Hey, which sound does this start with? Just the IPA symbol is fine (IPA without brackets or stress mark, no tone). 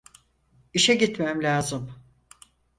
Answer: i